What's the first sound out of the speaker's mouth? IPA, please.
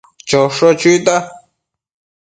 t͡ʃ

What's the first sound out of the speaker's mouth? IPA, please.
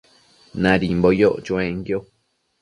n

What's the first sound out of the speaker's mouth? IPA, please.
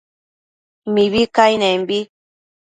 m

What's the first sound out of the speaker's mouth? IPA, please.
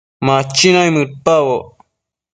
m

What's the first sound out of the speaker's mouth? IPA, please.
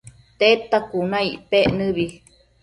t̪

